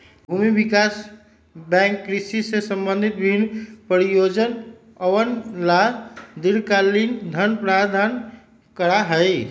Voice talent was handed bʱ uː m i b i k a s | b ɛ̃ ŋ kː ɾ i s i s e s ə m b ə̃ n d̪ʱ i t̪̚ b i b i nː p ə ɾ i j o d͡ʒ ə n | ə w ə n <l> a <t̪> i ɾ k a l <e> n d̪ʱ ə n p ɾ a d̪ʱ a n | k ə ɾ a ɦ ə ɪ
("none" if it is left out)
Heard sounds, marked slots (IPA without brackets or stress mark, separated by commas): l, d̪, i